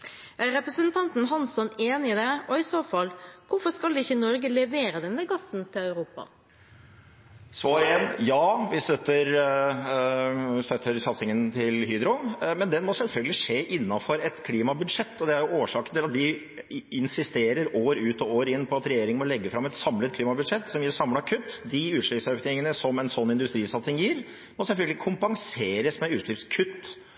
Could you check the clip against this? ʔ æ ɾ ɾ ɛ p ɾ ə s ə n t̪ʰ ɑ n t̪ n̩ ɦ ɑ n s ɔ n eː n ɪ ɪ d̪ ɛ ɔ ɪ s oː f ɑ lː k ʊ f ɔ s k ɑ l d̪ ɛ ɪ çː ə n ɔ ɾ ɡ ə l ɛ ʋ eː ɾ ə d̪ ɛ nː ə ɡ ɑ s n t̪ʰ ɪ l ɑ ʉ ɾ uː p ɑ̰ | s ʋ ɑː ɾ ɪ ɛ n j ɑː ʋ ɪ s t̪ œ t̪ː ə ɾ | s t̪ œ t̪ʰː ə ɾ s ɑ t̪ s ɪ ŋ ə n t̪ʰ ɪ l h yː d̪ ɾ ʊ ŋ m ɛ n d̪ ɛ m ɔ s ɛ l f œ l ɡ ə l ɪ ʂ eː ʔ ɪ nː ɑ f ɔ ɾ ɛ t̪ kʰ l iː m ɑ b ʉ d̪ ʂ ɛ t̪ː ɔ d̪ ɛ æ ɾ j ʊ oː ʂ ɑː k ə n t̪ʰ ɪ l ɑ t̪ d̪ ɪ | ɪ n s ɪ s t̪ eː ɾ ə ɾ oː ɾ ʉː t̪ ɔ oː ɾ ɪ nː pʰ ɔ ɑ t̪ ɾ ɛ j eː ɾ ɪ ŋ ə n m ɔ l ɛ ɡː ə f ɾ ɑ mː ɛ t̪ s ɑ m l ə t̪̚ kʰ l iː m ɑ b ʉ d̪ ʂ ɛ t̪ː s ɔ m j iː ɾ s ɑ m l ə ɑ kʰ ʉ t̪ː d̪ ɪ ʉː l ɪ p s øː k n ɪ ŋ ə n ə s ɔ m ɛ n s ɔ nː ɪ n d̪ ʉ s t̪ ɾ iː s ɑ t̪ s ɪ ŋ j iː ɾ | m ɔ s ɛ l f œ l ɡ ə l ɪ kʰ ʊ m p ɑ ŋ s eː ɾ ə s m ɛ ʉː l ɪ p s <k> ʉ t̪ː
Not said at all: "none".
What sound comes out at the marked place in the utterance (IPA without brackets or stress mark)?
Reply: kʰ